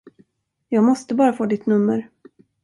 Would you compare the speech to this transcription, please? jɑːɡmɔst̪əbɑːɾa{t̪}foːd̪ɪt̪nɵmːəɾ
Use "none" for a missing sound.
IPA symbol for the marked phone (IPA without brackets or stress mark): none